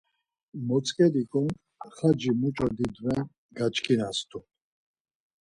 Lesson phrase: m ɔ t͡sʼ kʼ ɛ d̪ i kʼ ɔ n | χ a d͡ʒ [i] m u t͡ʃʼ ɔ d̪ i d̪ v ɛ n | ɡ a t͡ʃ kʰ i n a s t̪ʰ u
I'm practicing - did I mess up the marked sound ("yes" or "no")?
no